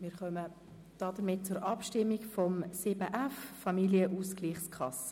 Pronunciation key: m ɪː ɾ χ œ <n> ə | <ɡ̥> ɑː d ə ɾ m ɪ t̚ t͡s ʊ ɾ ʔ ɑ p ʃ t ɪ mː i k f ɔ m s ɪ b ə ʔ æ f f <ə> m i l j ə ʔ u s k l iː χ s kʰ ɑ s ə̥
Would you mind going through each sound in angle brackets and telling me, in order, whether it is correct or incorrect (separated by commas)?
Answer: incorrect, incorrect, incorrect